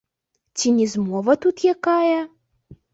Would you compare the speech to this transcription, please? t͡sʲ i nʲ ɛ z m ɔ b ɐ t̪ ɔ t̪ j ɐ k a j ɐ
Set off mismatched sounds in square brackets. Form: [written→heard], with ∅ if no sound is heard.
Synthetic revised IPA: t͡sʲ i nʲ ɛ z m ɔ [b→v] ɐ t̪ [ɔ→u] t̪ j [ɐ→a] k a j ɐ